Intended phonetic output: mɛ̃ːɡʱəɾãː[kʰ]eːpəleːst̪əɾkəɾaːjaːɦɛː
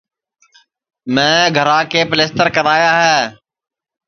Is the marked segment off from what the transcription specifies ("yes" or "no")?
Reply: yes